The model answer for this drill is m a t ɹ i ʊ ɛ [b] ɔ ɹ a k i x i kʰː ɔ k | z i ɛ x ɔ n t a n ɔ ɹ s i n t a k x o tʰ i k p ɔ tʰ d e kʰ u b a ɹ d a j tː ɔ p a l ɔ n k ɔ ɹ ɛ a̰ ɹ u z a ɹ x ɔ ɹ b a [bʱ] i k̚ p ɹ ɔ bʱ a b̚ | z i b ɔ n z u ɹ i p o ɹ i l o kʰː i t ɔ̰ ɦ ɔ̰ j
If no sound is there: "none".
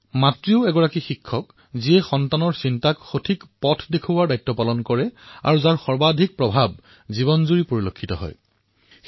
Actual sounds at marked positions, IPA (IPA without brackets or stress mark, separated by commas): ɡ, dʱ